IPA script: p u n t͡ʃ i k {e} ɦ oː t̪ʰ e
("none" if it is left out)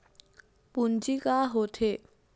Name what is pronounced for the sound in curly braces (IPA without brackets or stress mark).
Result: a